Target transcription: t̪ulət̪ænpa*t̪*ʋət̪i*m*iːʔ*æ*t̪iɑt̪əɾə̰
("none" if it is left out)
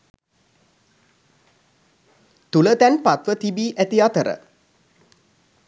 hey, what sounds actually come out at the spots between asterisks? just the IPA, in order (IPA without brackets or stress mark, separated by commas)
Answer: t̪, b, æ